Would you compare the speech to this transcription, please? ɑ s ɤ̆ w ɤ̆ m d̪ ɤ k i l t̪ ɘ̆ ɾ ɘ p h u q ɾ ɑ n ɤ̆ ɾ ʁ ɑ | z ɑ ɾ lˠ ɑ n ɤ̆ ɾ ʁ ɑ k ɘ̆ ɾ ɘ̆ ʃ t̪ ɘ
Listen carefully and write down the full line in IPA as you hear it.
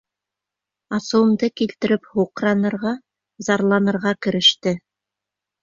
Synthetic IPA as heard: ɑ s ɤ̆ w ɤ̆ m d̪ ɤ k i l t̪ ɘ̆ ɾ ɘ p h u q ɾ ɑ n ɤ̆ ɾ ʁ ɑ | z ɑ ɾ lˠ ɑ n ɤ̆ ɾ ʁ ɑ k ɘ̆ ɾ ɘ̆ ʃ t̪ ɘ